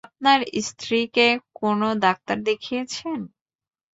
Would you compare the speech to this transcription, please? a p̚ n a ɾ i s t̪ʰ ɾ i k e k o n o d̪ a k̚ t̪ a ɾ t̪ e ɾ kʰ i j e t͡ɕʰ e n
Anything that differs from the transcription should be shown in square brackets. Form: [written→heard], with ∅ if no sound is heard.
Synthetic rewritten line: a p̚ n a ɾ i s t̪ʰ ɾ i k e k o n o d̪ a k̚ t̪ a ɾ [t̪→d̪] e [ɾ→∅] kʰ i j e t͡ɕʰ e n

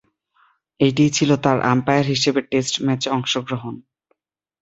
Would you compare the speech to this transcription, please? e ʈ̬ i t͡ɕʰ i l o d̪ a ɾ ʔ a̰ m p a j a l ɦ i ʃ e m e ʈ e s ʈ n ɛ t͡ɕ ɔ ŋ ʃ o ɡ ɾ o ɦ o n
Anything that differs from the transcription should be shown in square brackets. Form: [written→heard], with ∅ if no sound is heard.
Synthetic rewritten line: e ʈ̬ i t͡ɕʰ i l o [d̪→t̪] a ɾ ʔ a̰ m p a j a [l→ɾ] ɦ i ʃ e [m→b] e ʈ e s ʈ [n→m] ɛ t͡ɕ ɔ ŋ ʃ o ɡ ɾ o ɦ o n

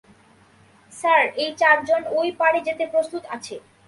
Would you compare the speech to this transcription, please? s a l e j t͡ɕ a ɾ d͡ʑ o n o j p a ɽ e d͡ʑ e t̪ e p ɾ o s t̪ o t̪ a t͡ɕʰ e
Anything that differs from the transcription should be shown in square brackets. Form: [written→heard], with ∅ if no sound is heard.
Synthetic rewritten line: s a [l→ɾ] e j t͡ɕ a ɾ d͡ʑ o n o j p a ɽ e d͡ʑ e t̪ e p ɾ o s t̪ [o→u] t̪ a t͡ɕʰ e

